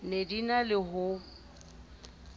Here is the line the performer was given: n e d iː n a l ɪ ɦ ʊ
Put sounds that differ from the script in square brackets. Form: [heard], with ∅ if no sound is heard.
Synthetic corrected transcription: n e d [i] n a l ɪ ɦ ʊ